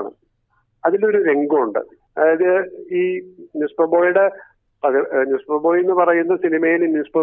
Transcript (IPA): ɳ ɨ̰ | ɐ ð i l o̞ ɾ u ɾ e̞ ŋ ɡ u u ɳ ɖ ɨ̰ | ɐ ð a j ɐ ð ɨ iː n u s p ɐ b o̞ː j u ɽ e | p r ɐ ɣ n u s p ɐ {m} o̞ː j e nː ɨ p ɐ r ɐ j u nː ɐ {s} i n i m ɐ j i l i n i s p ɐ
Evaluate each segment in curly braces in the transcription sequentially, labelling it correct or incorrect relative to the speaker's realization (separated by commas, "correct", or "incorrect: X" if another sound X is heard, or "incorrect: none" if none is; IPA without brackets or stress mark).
incorrect: b, correct